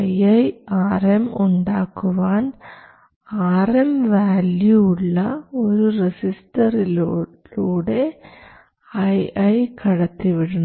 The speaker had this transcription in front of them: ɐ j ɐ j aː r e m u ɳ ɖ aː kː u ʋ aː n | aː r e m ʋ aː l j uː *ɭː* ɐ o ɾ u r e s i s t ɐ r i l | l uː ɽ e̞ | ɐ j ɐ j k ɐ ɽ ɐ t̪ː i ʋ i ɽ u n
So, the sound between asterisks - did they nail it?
yes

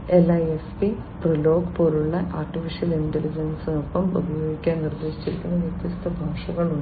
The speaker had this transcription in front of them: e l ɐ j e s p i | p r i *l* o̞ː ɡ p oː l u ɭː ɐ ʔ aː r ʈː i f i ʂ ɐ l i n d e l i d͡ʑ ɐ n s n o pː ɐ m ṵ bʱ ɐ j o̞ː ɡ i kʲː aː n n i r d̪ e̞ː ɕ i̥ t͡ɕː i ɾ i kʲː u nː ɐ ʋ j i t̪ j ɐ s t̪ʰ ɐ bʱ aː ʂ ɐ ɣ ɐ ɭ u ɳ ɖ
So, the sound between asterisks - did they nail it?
yes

